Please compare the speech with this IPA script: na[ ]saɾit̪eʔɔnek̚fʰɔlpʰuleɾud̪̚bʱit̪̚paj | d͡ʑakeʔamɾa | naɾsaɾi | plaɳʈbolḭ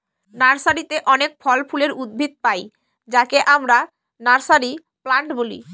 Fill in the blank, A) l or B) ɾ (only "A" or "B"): B